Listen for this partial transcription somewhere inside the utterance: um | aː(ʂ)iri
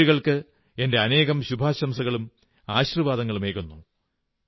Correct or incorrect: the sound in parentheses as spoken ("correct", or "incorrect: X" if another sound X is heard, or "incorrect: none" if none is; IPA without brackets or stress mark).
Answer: incorrect: ɕ